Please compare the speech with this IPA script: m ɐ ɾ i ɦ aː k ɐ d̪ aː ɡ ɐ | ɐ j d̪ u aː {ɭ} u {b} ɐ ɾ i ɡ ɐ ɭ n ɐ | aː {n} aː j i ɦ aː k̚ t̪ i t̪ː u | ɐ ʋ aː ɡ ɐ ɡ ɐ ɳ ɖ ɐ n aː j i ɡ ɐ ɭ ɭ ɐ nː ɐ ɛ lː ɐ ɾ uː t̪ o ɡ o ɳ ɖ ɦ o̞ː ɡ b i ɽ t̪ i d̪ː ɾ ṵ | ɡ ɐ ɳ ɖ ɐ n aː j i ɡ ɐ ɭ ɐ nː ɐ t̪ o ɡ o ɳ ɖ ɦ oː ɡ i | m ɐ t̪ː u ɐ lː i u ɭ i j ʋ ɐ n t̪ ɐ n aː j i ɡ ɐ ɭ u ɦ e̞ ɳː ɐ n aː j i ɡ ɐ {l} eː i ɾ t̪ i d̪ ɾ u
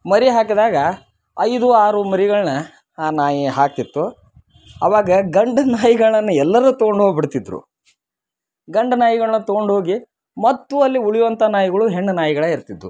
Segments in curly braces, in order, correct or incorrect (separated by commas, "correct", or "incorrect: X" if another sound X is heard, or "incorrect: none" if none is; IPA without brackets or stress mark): incorrect: ɾ, incorrect: m, correct, incorrect: ɭ